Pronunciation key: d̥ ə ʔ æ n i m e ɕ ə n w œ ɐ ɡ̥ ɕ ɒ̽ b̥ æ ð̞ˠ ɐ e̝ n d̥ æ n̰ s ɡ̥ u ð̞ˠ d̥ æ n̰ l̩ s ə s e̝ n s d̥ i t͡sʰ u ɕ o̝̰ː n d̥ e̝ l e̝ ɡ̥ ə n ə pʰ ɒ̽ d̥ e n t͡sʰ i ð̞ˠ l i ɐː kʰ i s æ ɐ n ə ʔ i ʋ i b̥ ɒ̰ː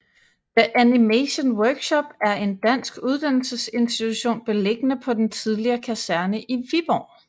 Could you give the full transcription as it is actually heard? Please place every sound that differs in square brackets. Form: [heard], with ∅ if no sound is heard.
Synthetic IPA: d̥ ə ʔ æ n i m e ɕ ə n w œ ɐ ɡ̥ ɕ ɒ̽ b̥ æ [∅] ɐ e̝ n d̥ æ n̰ s ɡ̥ u ð̞ˠ d̥ æ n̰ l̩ s ə s e̝ n s d̥ i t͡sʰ u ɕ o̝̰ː n [b̥] e̝ l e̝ ɡ̥ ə n ə pʰ ɒ̽ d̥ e n t͡sʰ i ð̞ˠ l i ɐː kʰ [æ] s æ ɐ n ə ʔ i ʋ i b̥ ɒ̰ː